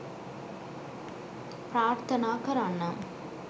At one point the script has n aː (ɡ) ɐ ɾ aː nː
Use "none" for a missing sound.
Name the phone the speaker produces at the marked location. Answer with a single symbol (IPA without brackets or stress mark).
k